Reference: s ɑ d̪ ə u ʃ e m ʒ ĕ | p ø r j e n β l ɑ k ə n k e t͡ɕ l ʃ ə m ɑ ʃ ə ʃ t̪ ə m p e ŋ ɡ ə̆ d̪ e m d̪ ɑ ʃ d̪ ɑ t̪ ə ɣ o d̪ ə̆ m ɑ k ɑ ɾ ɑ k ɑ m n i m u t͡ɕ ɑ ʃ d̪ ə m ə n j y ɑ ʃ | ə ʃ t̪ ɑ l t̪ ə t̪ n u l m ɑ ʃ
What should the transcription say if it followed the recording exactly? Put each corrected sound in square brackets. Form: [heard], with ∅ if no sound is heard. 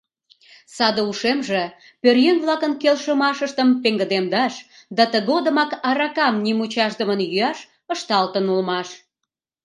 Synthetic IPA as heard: s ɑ d̪ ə u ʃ e m ʒ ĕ | p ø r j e n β l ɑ k ə n k e [∅] l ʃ ə m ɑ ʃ ə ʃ t̪ ə m p e ŋ ɡ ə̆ d̪ e m d̪ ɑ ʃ d̪ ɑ t̪ ə ɣ o d̪ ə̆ m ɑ k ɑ ɾ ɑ k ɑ m n i m u t͡ɕ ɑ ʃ d̪ ə m ə n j y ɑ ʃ | ə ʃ t̪ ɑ l t̪ ə [∅] n u l m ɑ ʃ

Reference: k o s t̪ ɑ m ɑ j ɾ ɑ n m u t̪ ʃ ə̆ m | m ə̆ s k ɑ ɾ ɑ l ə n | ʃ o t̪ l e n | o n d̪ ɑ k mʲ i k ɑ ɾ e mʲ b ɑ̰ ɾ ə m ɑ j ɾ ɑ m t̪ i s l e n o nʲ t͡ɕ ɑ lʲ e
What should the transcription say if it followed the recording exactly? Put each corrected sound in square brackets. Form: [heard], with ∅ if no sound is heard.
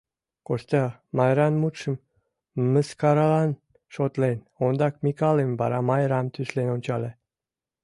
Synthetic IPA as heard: k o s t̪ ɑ m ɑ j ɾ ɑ n m u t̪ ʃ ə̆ m | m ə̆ s k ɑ ɾ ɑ l [ɑ] n | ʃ o t̪ l e n | o n d̪ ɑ k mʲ i k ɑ [l] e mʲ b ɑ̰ ɾ [ɑ] m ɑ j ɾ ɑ m t̪ [y] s l e n o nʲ t͡ɕ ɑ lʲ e

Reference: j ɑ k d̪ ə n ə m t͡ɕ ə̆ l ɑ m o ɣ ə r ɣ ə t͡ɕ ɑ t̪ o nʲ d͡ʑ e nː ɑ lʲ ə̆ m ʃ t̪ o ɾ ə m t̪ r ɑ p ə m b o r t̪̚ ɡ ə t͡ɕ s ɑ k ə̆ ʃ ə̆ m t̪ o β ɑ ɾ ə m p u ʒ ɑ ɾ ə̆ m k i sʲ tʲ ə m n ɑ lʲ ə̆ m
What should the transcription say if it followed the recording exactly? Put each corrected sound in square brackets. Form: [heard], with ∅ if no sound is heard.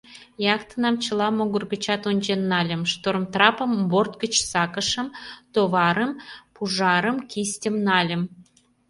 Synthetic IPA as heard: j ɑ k [t̪] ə n [ɑ] m t͡ɕ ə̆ l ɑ m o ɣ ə r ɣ ə t͡ɕ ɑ t̪ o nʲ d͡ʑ e nː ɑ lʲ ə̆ m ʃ t̪ o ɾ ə m t̪ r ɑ p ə m b o r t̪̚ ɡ ə t͡ɕ s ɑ k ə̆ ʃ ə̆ m t̪ o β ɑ ɾ ə m p u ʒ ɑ ɾ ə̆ m k i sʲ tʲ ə m n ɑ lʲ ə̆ m

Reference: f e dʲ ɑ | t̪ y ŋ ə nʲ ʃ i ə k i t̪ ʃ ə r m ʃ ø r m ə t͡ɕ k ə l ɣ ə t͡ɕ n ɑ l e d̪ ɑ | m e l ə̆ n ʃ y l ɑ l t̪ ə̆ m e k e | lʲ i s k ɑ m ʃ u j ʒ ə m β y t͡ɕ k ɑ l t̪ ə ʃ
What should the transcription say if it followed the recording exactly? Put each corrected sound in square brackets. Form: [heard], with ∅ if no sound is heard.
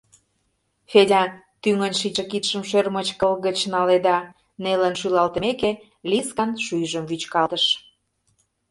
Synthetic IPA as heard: f e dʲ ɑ | t̪ y ŋ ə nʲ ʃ i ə k i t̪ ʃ ə [∅] m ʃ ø r m ə t͡ɕ k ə l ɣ ə t͡ɕ n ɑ l e d̪ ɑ | [n] e l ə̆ n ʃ y l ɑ l t̪ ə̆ m e k e | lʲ i s k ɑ [n] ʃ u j ʒ ə m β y t͡ɕ k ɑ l t̪ ə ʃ

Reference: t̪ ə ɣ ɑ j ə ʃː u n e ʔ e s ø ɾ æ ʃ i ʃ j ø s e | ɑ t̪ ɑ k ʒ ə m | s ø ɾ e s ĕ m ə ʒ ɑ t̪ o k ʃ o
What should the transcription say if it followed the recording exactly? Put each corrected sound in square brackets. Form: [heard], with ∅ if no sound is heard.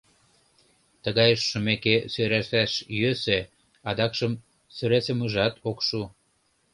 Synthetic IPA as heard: t̪ ə ɣ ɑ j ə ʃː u [m] e [k] e s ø ɾ æ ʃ [æ] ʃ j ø s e | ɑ [d̪] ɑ k [ʃ] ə m | s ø ɾ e s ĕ m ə ʒ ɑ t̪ o k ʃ [u]

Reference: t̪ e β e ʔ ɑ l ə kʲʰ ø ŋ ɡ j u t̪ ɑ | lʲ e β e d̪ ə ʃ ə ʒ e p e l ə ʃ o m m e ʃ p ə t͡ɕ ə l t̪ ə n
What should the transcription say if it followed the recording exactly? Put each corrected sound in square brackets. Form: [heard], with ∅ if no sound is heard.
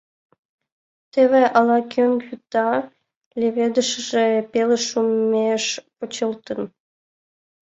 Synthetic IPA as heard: t̪ e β e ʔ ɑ l [ɑ] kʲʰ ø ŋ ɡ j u t̪ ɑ | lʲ e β e d̪ ə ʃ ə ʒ e p e l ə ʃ [u] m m e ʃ p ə t͡ɕ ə l t̪ ə n

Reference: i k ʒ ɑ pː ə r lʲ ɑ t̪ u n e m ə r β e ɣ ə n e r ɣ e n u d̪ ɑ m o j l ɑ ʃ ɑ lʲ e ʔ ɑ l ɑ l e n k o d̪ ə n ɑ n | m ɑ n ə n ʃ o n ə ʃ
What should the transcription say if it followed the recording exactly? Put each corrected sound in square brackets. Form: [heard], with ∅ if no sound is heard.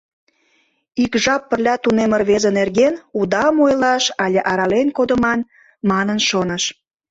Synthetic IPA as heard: i k ʒ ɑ pː ə r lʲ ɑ t̪ u n e m ə r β e [z] ə n e r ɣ e n u d̪ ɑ m o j l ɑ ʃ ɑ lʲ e ʔ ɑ [ɾ] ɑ l e n k o d̪ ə [m] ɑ n | m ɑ n ə n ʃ o n ə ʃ

